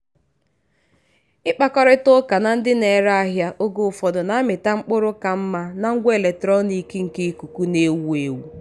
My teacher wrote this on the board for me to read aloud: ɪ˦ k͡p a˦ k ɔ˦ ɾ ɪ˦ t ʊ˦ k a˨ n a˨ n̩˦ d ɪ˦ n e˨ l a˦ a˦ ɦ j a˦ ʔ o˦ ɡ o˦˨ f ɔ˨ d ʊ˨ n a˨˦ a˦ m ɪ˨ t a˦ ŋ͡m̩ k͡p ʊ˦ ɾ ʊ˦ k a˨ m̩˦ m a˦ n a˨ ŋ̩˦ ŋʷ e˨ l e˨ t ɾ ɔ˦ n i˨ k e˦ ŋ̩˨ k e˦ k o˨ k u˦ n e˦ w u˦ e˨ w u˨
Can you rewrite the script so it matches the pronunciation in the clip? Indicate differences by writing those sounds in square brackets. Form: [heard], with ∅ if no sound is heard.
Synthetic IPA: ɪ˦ k͡p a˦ k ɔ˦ ɾ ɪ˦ t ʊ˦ k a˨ n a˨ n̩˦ d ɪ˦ n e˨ [ɾ] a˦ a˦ ɦ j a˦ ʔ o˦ ɡ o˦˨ f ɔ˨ d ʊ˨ n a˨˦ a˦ m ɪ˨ t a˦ ŋ͡m̩ k͡p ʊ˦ ɾ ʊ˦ k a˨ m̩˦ m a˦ n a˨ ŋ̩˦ [ɡʷ] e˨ l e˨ t ɾ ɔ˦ n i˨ k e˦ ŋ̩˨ k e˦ k [u˨] k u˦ n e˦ w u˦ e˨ w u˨